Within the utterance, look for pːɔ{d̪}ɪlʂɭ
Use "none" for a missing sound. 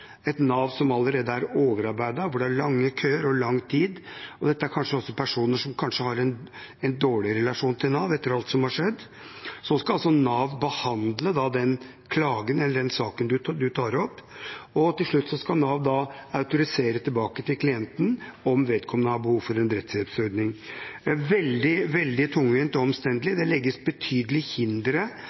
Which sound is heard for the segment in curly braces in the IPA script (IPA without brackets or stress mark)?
t̪